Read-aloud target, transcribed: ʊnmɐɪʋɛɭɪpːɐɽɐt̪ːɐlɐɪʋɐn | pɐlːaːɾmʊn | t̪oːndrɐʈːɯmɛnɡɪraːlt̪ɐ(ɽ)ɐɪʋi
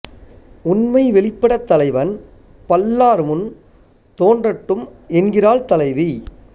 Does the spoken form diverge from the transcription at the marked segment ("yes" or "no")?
yes